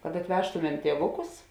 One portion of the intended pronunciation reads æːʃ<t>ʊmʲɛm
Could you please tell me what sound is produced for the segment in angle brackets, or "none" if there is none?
t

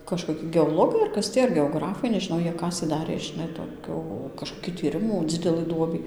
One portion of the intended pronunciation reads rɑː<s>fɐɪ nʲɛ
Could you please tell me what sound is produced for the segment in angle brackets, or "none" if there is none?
none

